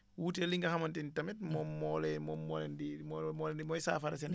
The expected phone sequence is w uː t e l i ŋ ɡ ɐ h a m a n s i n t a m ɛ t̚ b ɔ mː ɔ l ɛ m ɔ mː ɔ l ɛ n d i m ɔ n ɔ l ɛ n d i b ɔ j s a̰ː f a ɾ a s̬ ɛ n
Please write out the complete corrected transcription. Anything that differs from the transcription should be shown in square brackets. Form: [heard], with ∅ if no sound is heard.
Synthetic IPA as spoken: w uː t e l i ŋ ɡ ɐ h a m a n [t] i n t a m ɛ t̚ [m] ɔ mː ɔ l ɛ m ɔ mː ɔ l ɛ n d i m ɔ [m] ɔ l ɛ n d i [m] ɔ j s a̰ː f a ɾ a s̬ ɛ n